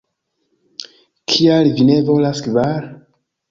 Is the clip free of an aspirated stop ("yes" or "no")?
no